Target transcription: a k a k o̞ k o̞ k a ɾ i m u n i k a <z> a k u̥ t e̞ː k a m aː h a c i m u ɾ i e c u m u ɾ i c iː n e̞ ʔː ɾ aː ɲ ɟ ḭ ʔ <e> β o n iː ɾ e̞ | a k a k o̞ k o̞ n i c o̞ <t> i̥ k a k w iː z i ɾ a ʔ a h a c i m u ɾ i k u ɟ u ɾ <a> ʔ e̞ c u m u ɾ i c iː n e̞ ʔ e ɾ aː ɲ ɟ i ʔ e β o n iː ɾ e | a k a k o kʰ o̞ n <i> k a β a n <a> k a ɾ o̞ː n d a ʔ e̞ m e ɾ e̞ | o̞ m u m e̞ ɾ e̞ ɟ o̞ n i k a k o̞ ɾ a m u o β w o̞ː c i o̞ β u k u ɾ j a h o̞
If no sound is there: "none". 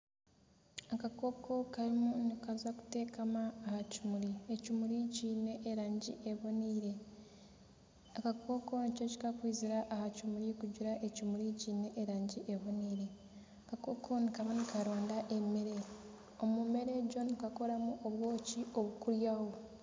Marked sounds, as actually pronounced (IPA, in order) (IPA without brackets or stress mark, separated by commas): z, e, c, a, i, i